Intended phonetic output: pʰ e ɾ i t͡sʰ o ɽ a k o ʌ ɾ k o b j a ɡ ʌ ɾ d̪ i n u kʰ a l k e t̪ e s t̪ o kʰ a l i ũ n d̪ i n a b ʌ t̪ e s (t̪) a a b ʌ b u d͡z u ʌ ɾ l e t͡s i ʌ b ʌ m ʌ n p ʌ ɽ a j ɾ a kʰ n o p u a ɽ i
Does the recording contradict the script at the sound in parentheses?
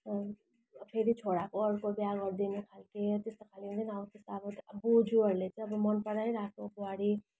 no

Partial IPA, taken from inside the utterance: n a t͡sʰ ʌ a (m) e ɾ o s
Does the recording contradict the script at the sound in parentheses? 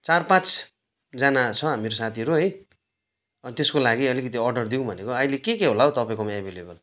no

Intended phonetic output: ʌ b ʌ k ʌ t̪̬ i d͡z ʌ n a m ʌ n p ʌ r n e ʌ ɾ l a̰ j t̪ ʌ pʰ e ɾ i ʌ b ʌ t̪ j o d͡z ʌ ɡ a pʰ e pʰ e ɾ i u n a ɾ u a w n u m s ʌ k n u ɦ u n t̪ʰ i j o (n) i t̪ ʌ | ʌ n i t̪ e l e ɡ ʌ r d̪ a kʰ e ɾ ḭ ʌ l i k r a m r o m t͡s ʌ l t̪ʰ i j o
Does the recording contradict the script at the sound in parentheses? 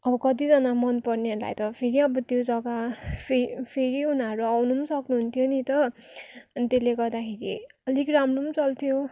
no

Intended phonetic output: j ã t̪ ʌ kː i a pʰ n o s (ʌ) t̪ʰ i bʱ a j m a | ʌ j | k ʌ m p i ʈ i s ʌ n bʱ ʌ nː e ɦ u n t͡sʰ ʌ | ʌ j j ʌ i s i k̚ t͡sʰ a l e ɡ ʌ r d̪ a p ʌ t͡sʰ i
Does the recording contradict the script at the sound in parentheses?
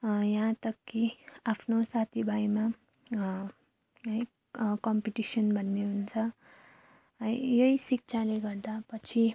yes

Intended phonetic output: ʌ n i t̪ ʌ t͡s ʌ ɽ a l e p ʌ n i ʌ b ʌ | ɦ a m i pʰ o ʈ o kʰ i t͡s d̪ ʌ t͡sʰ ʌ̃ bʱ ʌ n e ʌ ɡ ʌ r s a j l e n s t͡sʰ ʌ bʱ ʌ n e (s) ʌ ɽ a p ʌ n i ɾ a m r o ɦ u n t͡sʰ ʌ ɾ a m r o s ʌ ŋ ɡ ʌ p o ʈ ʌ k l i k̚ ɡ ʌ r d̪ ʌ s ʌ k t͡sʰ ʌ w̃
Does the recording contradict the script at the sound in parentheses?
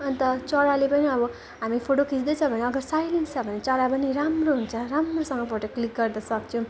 yes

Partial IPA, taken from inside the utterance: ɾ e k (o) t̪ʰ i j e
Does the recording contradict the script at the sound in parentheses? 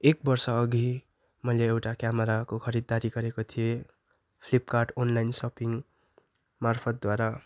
no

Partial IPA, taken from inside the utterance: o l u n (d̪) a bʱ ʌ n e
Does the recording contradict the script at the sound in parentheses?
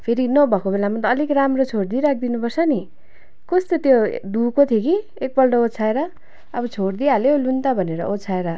yes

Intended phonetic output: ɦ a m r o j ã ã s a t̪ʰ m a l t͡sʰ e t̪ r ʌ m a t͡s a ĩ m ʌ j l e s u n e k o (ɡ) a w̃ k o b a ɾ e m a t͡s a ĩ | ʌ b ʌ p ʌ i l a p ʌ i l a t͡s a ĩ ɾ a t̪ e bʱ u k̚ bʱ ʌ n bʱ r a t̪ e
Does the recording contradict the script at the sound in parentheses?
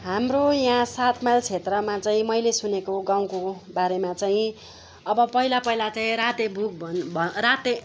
no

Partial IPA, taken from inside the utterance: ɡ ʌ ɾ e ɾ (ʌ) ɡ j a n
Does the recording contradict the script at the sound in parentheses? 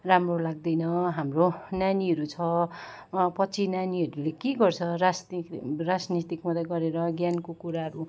no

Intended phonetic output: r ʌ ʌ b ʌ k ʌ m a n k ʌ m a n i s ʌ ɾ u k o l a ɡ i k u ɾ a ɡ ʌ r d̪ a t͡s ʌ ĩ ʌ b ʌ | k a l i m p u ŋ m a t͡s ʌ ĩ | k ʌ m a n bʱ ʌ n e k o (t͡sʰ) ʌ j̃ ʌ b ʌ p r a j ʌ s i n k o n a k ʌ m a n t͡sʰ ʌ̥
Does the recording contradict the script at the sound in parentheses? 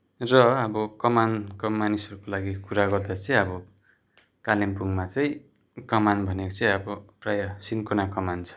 yes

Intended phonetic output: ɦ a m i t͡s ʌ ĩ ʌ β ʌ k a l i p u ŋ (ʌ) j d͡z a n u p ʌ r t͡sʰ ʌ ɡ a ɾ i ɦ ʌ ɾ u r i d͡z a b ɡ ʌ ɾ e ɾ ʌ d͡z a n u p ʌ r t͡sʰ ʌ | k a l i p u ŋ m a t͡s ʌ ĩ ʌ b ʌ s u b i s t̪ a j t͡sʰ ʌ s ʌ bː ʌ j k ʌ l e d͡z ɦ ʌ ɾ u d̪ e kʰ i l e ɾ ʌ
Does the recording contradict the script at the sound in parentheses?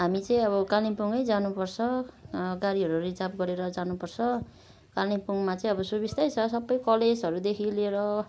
no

